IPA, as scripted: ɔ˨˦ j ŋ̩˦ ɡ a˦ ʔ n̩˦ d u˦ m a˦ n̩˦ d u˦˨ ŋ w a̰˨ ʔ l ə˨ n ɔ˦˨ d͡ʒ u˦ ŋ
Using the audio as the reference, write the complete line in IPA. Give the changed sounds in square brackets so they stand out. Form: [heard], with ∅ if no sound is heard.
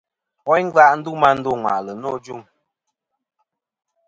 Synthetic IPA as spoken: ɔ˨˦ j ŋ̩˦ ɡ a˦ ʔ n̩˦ d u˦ m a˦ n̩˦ d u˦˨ ŋ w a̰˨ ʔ l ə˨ n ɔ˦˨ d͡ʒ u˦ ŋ